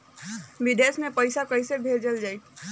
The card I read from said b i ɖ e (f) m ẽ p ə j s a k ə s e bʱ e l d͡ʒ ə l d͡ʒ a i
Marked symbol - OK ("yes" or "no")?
no